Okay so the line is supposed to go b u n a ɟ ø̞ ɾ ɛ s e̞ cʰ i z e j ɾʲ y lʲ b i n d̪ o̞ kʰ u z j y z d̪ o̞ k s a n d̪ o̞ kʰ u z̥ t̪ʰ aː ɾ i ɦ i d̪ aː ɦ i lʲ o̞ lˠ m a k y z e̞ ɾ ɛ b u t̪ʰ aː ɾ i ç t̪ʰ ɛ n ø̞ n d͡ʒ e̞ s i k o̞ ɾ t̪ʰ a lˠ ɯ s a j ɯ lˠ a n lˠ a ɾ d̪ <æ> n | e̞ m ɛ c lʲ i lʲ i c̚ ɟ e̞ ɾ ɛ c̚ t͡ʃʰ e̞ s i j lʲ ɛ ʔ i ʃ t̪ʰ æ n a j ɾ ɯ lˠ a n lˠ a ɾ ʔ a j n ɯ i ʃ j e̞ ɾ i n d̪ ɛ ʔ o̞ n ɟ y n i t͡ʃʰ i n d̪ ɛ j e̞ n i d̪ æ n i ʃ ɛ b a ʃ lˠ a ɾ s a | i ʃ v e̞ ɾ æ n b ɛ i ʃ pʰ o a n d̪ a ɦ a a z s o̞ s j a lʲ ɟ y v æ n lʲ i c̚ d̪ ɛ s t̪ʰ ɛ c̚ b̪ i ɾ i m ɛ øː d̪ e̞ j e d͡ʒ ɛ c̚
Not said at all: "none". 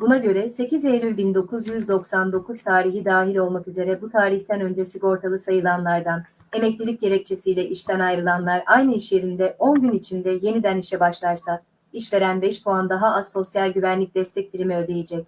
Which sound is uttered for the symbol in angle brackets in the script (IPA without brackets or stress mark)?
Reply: a